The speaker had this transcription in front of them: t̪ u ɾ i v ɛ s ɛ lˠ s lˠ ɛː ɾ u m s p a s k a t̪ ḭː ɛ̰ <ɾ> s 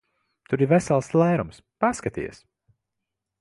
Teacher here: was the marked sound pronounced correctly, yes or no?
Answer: no